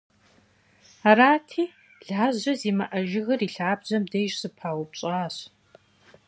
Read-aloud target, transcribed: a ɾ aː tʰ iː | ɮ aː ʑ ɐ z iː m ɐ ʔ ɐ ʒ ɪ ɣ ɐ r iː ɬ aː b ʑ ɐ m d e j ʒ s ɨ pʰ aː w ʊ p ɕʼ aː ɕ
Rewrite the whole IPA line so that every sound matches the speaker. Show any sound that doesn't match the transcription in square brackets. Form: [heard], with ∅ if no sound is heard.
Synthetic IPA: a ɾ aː tʰ iː | ɮ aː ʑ ɐ z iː m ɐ ʔ ɐ ʒ ɪ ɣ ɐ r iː ɬ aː b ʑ ɐ m d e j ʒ s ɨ pʰ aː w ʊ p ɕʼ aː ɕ